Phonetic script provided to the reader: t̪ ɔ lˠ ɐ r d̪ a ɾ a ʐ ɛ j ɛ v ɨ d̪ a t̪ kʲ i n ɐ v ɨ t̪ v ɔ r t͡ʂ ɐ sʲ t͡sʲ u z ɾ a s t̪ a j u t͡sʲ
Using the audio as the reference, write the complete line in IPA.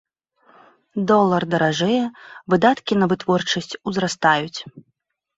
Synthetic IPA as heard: d̪ ɔ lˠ ɐ r d̪ ɐ ɾ a ʐ ɛ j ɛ v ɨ d̪ a t̪ kʲ i n ɐ v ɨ t̪ v ɔ r t͡ʂ ɐ sʲ t͡sʲ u z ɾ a s t̪ a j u t͡sʲ